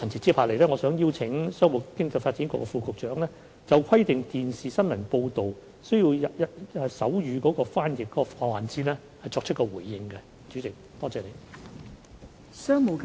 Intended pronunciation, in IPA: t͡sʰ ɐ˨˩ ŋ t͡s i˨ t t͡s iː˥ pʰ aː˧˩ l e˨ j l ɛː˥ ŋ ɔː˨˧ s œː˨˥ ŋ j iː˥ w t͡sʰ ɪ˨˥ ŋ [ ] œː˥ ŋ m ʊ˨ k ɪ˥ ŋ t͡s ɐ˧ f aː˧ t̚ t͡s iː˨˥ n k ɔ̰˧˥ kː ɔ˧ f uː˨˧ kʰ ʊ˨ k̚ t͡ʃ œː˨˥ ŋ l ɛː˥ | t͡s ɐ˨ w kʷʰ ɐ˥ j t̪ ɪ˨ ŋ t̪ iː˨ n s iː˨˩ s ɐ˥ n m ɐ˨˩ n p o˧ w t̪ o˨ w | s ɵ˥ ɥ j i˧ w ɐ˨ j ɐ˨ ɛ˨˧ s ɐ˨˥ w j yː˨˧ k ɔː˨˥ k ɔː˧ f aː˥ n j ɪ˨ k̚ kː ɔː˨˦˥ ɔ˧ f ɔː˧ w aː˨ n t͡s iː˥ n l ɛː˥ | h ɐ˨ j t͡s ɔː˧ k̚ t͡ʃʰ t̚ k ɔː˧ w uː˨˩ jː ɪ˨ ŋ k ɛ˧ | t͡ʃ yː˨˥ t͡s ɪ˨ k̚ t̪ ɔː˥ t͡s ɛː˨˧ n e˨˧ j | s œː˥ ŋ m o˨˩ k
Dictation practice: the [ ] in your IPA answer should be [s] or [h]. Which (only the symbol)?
s